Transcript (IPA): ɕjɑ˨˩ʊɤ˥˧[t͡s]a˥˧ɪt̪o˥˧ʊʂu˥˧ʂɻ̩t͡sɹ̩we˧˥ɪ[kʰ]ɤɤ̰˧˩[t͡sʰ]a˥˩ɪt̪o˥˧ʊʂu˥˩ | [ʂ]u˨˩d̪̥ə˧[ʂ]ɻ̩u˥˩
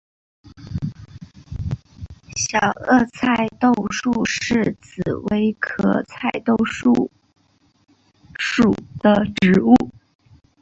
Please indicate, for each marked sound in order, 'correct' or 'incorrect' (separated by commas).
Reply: incorrect, correct, correct, correct, incorrect